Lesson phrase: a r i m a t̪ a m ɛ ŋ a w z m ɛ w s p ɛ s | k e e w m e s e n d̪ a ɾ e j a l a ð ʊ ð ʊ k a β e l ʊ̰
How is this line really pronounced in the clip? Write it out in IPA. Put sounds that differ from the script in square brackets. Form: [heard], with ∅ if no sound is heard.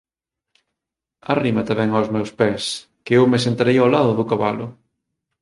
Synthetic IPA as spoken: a r i m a t̪ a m ɛ ŋ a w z m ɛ w s p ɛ s | k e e w m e s e n [t̪] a ɾ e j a l a ð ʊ ð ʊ k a β [a] l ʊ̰